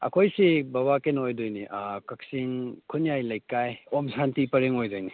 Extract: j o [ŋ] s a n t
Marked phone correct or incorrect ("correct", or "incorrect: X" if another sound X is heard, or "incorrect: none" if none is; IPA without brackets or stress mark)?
incorrect: m